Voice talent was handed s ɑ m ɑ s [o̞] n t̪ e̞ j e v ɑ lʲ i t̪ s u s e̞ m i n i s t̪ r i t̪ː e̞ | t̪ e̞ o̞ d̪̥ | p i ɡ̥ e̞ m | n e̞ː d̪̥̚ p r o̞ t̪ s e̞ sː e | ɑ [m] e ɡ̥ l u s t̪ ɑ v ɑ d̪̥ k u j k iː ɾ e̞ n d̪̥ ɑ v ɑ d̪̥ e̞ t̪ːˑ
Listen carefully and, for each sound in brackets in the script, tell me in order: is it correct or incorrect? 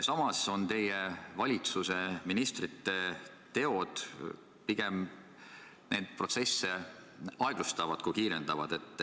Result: correct, incorrect

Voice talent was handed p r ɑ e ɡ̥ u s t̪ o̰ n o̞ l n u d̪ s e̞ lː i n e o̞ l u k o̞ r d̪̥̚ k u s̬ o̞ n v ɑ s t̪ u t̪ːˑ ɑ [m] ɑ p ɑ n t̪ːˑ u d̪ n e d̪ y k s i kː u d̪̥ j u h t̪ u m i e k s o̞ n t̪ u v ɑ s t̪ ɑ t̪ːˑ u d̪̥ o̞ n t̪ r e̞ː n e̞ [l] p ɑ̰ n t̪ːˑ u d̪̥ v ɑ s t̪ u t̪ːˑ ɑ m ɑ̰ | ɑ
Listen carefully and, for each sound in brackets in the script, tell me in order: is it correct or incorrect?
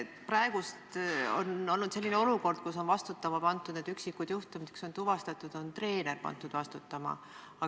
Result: correct, incorrect

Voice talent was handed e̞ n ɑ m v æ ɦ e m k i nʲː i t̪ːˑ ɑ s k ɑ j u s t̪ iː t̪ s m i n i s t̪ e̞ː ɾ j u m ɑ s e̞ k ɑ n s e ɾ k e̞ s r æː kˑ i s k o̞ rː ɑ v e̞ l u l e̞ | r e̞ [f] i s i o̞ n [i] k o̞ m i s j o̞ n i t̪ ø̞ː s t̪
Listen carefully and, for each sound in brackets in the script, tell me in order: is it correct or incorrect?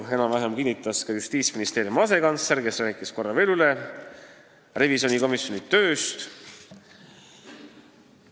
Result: incorrect, correct

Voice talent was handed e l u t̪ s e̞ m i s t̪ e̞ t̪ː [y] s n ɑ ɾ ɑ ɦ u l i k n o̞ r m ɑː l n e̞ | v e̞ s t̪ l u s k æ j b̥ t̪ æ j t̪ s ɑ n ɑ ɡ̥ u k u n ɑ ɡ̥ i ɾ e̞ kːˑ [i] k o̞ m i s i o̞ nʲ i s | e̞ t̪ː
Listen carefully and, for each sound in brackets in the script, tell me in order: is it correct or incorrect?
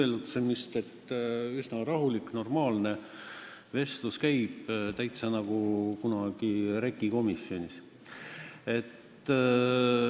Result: correct, correct

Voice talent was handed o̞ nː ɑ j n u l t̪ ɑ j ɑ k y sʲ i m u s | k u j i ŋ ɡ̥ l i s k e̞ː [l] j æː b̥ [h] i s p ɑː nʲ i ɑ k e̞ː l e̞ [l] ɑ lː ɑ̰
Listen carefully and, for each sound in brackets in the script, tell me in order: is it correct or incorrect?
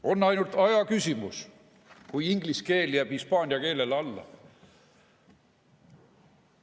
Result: correct, correct, correct

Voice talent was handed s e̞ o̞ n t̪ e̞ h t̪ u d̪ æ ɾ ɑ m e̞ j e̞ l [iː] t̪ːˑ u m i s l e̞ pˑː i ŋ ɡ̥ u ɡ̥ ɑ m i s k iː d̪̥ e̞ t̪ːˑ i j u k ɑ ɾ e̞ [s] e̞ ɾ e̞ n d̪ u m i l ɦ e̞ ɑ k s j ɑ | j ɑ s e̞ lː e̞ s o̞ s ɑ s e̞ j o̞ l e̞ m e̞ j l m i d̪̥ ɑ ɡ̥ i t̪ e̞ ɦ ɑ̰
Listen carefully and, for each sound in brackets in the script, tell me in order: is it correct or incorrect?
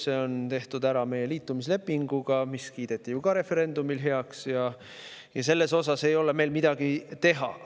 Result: correct, incorrect

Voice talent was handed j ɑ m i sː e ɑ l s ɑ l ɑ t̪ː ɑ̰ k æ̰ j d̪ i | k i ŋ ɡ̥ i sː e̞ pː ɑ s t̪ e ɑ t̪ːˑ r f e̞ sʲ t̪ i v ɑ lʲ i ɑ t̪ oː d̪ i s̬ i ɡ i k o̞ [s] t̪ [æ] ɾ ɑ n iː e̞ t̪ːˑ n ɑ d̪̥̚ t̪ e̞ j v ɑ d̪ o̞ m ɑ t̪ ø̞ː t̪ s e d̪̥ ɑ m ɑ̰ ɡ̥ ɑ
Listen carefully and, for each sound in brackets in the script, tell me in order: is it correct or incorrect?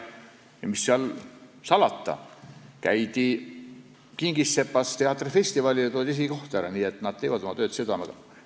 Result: incorrect, correct

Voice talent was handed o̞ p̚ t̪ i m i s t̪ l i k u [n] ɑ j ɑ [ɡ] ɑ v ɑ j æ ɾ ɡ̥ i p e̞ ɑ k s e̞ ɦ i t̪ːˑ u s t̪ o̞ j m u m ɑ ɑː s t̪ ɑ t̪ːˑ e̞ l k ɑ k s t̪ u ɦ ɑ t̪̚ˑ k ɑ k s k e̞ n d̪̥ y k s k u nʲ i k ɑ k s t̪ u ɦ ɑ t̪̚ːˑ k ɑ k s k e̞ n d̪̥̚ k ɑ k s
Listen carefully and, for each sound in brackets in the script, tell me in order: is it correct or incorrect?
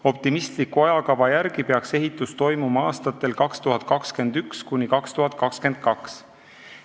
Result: incorrect, incorrect

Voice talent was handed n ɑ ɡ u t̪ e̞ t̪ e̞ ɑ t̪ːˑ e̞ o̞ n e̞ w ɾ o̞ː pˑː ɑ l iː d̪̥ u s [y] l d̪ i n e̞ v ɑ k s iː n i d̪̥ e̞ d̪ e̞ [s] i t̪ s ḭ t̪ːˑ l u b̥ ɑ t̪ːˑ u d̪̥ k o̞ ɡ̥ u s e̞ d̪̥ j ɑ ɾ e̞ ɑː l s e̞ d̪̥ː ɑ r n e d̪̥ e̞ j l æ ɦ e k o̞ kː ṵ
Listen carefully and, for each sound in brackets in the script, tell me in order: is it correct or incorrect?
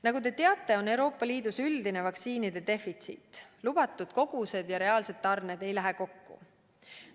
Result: correct, incorrect

